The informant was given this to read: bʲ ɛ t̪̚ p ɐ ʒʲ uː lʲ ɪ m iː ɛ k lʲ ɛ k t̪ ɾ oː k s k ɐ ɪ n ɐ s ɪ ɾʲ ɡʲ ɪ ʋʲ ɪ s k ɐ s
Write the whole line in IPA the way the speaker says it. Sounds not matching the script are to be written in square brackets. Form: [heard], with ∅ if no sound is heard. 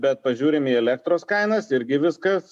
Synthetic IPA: bʲ ɛ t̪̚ p ɐ ʒʲ uː [ɾʲ] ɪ m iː ɛ [∅] lʲ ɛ k t̪ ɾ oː [∅] s k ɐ ɪ n ɐ s ɪ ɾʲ ɡʲ ɪ ʋʲ ɪ s k ɐ s